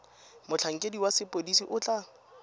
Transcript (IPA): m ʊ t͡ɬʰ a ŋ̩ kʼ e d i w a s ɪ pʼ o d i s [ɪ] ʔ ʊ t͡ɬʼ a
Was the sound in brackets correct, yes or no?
no